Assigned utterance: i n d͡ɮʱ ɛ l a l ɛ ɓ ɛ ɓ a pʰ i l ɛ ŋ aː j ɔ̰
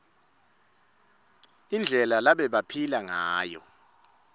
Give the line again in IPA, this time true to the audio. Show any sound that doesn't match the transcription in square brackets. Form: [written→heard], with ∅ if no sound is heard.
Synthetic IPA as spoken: i n d͡ɮʱ ɛ l a l [ɛ→a] ɓ ɛ ɓ a pʰ i l [ɛ→a] ŋ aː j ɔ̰

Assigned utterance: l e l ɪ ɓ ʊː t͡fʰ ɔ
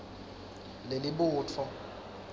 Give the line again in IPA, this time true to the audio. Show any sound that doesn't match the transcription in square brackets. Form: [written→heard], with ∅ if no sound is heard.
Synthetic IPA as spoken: l e l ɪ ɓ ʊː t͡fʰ ɔ

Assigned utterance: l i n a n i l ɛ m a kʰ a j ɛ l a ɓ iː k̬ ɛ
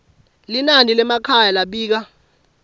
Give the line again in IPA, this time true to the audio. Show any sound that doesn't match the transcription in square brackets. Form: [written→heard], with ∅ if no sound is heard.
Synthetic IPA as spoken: l i n a n i l ɛ m a kʰ a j [ɛ→a] l a ɓ iː k̬ [ɛ→a]

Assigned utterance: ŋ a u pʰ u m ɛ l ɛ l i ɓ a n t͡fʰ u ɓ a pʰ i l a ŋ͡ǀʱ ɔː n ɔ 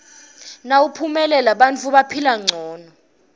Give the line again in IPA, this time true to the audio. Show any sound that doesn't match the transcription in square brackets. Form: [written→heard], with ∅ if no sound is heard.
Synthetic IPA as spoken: [ŋ→n] a u pʰ u m ɛ l ɛ l [i→a] ɓ a n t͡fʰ u ɓ a pʰ i l a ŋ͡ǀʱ ɔː n ɔ

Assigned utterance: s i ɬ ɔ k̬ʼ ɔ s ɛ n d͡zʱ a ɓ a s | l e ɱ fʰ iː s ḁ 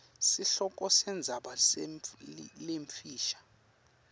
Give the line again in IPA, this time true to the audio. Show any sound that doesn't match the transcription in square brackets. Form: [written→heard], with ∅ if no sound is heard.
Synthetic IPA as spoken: s i ɬ ɔ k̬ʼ ɔ s ɛ n d͡zʱ a ɓ a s | l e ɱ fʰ iː [s→ʃ] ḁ

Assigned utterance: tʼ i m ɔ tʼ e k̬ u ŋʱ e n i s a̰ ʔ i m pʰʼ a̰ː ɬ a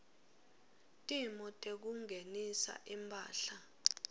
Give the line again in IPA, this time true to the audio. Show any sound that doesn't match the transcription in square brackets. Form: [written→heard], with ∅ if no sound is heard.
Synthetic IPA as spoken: tʼ i m ɔ tʼ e k̬ u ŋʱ e n i s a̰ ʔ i m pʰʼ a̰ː ɬ a

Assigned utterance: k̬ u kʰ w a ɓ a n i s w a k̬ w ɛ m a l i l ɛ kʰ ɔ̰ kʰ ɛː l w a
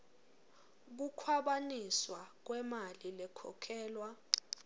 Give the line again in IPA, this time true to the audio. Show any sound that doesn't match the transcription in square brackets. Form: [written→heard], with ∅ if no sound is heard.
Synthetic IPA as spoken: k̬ u kʰ w a ɓ a n i s w a k̬ w ɛ m a l i l ɛ kʰ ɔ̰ kʰ ɛː l w a

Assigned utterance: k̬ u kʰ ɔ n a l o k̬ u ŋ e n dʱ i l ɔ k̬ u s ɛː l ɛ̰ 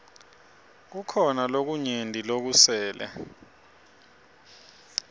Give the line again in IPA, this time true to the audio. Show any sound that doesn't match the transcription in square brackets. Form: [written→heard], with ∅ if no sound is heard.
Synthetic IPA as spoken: k̬ u kʰ ɔ n a l o k̬ u [ŋ→ɲ] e n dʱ i l [ɔ→o] k̬ u s ɛː l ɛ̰

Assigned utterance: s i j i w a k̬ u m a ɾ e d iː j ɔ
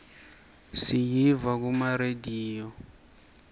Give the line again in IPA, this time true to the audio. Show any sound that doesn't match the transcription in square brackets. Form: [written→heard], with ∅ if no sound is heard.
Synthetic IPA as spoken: s i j i [w→v] a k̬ u m a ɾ e d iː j ɔ

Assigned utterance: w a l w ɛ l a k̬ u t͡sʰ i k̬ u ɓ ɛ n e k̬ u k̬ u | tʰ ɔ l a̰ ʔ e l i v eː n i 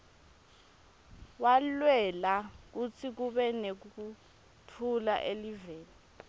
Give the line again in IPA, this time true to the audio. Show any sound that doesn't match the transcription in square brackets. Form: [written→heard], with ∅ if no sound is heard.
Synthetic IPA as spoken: w a l w ɛ l a k̬ u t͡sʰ i k̬ u ɓ ɛ n e k̬ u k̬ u | tʰ [ɔ→u] l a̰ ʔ e l i v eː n i

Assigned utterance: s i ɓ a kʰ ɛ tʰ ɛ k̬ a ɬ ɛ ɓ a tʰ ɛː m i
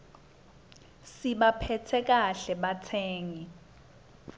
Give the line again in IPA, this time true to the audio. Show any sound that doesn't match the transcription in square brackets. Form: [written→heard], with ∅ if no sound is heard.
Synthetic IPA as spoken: s i ɓ a [kʰ→pʰ] ɛ tʰ ɛ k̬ a ɬ ɛ ɓ a tʰ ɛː [m→ŋ] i

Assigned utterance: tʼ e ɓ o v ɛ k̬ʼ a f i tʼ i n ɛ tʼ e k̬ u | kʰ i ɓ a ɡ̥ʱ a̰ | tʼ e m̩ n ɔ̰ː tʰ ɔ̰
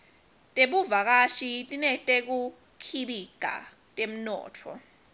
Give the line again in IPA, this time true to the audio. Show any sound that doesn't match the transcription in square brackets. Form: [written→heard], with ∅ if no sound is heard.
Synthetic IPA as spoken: tʼ e ɓ [o→u] v [ɛ→a] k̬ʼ a [f→ʃ] i tʼ i n ɛ tʼ e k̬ u | kʰ i ɓ [a→i] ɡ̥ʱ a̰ | tʼ e m̩ n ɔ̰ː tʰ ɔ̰

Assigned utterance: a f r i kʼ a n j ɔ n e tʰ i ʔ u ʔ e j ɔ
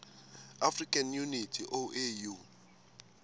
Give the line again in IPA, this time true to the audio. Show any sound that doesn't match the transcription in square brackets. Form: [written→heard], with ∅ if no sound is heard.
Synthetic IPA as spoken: a f r i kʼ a n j [ɔ→u] n [e→i] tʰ i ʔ [u→o] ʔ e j [ɔ→u]

